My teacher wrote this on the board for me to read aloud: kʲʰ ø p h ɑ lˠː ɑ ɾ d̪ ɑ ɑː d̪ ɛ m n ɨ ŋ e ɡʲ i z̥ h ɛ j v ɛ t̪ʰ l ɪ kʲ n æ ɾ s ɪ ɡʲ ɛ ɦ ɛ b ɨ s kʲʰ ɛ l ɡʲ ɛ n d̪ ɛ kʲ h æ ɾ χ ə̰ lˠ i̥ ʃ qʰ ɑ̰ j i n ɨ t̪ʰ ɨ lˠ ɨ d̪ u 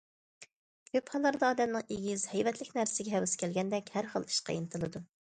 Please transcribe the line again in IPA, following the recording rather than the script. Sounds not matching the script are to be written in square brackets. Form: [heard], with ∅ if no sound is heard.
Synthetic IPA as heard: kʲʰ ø p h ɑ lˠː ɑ ɾ d̪ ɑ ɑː d̪ ɛ m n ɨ ŋ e ɡʲ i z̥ h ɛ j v ɛ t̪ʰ l ɪ kʲ n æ ɾ s ɪ ɡʲ ɛ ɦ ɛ [w] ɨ s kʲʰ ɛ l ɡʲ ɛ n d̪ ɛ kʲ h æ ɾ χ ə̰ lˠ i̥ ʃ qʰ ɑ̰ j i n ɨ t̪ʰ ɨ lˠ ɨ d̪ u